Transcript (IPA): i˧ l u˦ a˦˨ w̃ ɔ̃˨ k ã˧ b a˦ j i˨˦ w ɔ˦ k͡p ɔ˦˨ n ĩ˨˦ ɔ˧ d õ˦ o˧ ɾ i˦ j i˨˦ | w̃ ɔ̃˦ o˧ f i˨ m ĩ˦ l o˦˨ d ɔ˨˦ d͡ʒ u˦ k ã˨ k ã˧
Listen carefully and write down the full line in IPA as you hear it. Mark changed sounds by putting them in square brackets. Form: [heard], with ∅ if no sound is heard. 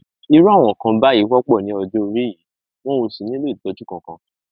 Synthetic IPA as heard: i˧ [ɾ] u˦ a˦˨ w̃ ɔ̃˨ k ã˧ b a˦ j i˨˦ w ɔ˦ k͡p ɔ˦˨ n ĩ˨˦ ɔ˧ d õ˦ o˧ ɾ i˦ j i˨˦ | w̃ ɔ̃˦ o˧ [s] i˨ [n] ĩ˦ l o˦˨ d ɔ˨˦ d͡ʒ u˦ k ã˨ k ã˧